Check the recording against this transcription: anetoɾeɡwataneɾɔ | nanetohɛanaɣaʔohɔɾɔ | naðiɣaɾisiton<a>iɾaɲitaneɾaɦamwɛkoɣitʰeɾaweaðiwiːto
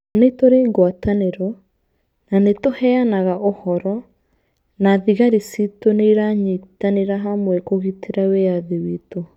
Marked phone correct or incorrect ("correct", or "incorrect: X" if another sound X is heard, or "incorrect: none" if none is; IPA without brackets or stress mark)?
incorrect: e